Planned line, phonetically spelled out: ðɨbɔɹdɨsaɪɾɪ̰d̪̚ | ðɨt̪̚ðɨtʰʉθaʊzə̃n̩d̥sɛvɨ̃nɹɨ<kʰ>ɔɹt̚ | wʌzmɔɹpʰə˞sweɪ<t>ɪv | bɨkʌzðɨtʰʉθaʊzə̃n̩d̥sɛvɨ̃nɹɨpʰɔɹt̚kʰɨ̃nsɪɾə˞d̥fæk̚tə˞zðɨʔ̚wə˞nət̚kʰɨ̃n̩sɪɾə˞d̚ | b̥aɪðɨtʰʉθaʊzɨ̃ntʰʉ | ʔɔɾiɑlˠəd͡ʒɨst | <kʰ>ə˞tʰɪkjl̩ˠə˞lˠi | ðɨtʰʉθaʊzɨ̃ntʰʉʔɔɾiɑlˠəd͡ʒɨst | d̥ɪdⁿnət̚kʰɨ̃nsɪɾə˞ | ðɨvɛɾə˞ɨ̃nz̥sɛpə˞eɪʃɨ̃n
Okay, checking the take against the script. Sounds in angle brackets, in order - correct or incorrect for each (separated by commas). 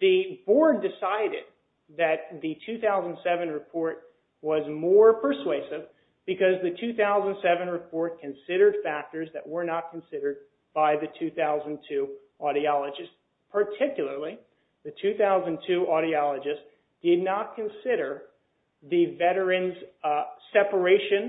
incorrect, incorrect, incorrect